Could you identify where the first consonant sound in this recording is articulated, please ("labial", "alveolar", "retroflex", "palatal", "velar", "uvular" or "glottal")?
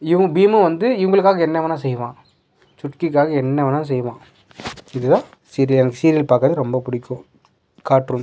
labial